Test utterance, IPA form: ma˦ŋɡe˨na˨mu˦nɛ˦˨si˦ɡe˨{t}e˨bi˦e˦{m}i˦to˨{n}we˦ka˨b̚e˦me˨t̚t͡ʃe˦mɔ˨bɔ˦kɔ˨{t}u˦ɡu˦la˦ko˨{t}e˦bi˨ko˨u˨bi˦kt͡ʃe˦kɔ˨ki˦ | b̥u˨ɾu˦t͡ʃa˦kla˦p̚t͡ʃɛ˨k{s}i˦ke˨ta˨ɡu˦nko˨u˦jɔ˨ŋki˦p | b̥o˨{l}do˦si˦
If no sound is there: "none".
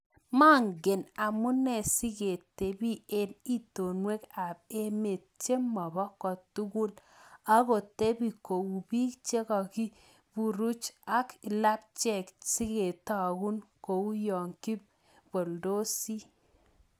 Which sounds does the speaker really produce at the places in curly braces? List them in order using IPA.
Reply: t, n, n, t, t, s, l

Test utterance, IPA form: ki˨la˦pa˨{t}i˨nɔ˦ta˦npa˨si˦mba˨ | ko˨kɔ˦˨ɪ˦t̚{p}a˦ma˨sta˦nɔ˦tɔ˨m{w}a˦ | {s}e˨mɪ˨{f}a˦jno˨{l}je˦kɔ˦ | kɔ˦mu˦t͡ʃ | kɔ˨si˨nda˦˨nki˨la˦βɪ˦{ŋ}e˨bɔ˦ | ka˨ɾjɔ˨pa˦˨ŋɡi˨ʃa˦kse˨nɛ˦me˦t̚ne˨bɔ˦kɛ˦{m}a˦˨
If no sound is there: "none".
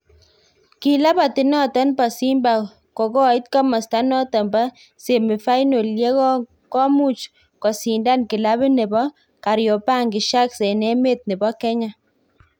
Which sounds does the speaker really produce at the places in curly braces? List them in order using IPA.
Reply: t, k, b, s, f, l, n, ɲ

